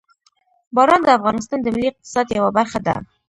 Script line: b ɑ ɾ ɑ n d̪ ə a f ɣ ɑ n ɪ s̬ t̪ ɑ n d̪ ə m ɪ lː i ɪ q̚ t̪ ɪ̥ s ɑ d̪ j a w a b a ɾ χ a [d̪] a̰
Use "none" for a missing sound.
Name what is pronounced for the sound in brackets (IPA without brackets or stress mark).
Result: d̪